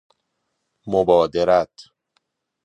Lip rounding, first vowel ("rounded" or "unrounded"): rounded